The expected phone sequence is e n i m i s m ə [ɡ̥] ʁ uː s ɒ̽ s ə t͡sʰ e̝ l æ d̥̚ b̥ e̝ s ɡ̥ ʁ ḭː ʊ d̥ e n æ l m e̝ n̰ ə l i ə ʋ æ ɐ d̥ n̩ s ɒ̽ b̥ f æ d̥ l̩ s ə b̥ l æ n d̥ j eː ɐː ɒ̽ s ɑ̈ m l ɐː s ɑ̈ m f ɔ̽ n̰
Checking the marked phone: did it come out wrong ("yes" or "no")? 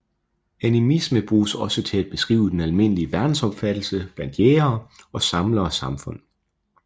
yes